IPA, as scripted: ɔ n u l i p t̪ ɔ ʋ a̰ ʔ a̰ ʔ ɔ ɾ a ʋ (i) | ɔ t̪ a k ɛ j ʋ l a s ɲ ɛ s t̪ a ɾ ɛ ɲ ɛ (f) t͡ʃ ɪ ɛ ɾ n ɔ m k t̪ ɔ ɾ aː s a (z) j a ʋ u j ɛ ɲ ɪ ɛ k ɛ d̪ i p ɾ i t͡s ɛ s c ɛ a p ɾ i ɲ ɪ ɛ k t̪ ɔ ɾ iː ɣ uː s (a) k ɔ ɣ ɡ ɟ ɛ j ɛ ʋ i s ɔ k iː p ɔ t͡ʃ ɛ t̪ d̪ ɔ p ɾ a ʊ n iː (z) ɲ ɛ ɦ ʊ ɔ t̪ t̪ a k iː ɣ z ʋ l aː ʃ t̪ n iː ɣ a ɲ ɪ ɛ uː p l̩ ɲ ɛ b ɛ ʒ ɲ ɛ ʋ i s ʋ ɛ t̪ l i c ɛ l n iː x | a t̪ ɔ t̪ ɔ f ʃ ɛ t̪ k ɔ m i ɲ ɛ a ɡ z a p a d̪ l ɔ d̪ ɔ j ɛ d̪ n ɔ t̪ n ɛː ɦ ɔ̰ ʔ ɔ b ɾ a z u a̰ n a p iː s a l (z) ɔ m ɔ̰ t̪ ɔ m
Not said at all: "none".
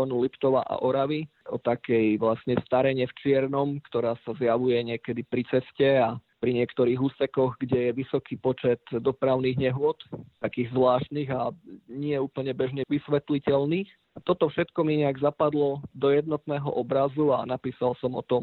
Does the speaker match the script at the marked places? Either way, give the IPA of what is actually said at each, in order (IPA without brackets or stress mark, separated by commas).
i, f, z, ɛ, ɣ, s